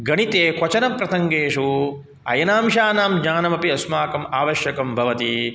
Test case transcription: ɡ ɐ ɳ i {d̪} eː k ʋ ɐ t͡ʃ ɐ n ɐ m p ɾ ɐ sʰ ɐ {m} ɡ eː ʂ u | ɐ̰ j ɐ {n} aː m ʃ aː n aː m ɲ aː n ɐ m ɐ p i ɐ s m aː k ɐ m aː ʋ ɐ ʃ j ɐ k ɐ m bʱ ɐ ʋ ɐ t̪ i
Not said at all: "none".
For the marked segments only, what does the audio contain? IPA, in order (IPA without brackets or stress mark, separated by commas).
t̪, ŋ, n